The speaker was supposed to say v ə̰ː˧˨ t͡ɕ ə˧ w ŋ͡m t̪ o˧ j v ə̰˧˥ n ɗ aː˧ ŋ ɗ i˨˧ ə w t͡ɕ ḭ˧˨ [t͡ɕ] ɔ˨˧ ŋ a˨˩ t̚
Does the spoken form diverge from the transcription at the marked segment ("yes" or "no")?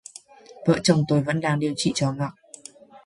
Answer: no